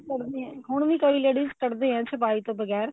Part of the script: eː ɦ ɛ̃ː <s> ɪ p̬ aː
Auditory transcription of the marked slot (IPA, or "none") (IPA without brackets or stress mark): s